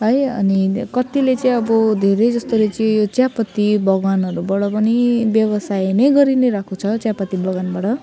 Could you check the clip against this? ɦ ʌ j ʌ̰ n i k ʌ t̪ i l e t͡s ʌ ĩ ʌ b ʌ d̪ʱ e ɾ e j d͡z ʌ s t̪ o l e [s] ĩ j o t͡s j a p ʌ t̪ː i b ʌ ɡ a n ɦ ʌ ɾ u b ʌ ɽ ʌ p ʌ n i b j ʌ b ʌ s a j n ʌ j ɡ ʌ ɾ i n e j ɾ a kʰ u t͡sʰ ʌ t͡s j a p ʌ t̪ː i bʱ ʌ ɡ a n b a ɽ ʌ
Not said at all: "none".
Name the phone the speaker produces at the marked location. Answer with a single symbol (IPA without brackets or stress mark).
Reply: t͡s